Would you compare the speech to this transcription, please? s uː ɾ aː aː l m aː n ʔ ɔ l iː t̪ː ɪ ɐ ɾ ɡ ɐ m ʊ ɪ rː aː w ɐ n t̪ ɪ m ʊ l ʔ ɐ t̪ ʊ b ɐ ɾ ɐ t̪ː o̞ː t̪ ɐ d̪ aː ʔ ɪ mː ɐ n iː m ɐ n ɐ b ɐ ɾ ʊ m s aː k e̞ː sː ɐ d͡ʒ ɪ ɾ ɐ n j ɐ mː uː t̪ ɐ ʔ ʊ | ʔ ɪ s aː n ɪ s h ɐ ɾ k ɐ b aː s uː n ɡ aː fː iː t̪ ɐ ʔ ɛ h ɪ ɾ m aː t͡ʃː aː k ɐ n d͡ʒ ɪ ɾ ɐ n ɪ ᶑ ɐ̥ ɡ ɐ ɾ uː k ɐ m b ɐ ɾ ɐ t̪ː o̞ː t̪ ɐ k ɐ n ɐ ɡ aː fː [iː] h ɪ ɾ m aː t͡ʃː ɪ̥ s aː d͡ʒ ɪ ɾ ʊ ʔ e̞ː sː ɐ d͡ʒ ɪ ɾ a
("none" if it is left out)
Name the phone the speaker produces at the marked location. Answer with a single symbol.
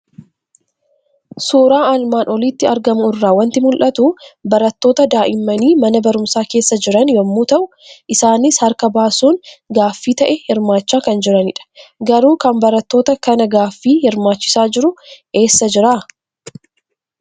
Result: iː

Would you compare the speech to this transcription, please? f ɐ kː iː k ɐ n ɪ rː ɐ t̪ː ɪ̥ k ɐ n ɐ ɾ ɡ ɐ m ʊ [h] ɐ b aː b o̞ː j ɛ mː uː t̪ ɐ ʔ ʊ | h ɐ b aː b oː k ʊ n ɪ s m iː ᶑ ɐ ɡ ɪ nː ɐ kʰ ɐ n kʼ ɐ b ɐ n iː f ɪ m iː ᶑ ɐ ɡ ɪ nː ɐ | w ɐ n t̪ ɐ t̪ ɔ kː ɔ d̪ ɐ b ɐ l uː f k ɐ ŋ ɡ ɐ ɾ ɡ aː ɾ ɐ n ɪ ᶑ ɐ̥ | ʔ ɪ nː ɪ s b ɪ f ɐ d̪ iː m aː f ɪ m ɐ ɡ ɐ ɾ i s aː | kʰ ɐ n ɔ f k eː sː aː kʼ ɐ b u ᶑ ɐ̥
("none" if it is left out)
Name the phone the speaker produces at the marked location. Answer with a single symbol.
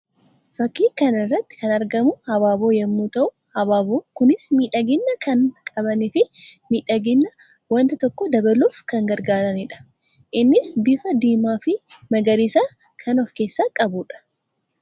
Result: h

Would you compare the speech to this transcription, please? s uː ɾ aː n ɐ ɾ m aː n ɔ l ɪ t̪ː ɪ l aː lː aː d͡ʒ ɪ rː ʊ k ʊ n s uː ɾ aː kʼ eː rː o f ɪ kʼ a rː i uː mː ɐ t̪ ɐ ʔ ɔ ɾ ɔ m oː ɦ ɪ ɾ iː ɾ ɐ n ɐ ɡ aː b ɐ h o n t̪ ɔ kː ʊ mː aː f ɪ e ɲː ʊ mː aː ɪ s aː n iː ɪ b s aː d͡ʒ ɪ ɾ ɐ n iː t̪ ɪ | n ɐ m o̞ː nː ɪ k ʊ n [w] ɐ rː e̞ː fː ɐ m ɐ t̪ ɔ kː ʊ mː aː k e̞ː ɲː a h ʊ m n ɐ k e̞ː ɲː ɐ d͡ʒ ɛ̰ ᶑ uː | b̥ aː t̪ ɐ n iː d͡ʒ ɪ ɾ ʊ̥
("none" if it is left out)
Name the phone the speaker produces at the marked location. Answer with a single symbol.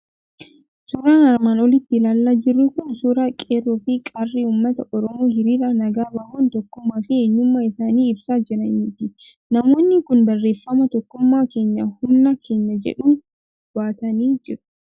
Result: b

